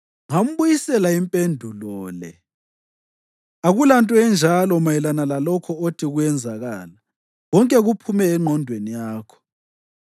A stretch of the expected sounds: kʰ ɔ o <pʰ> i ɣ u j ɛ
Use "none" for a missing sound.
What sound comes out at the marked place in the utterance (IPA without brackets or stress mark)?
tʰ